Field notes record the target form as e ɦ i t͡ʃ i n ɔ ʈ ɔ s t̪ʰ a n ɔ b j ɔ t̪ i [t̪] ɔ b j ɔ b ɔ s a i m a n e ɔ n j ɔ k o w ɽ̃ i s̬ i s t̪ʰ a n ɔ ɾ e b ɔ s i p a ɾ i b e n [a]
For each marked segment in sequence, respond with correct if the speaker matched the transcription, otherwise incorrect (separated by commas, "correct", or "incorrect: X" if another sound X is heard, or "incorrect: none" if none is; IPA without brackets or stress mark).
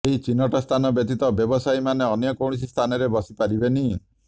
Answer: correct, incorrect: i